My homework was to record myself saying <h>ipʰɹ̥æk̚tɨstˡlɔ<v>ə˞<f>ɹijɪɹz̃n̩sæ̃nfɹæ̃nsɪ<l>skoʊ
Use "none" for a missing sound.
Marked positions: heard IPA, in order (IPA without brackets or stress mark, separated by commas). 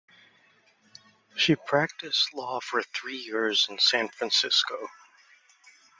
ʃ, f, θ, none